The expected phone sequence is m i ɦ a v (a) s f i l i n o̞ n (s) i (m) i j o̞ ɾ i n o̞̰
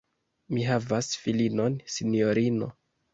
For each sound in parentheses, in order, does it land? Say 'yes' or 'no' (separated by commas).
yes, yes, no